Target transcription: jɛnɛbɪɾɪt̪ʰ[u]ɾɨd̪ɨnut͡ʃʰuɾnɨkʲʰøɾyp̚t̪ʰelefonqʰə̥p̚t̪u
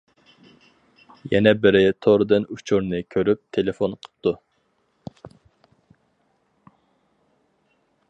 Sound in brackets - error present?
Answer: yes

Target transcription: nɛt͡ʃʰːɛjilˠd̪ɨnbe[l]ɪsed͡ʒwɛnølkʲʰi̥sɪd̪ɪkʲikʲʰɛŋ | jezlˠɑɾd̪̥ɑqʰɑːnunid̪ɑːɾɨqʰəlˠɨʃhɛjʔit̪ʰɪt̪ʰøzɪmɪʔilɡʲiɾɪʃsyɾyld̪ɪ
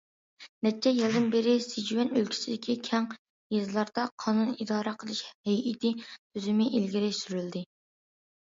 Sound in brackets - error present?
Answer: yes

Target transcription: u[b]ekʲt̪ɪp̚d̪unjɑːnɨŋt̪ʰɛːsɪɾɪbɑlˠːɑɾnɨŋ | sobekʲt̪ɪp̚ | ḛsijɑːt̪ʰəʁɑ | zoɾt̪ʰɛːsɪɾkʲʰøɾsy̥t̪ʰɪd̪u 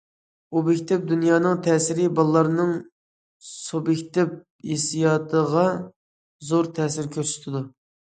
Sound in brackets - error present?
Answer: no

